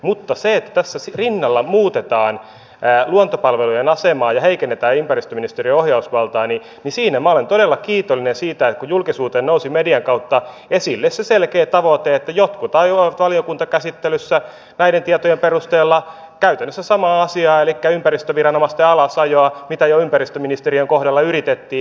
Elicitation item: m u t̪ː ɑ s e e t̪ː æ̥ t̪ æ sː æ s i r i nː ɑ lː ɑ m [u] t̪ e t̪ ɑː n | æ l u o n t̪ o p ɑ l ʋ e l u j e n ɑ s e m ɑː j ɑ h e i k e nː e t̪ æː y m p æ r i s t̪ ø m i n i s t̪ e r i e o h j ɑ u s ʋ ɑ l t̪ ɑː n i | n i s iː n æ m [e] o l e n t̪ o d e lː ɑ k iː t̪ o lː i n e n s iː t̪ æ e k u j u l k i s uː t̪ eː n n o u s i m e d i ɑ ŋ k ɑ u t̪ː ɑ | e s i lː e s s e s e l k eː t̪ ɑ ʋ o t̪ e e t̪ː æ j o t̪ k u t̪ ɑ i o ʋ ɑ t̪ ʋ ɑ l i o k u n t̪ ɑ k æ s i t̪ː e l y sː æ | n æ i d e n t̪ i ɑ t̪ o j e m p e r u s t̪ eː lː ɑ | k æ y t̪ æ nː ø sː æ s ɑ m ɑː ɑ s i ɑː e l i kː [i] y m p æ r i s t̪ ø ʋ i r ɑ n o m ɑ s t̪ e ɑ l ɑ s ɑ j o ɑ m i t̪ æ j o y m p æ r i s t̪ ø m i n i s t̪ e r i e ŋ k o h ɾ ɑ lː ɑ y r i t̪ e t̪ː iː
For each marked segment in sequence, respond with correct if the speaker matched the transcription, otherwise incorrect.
incorrect: uː, incorrect: æ, incorrect: æ

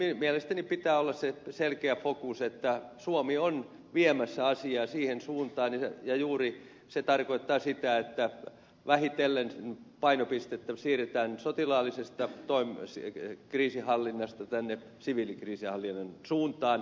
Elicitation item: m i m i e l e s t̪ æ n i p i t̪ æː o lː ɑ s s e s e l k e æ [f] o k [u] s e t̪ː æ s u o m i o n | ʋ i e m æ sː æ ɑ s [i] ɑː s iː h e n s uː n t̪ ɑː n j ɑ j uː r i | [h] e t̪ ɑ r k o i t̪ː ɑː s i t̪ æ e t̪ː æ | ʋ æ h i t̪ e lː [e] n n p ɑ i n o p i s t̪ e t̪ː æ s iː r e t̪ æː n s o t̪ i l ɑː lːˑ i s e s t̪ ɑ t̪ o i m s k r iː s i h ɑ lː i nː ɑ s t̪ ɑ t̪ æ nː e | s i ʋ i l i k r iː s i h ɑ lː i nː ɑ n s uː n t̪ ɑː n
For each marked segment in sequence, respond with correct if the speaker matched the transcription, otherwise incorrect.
correct, correct, correct, incorrect: s, correct

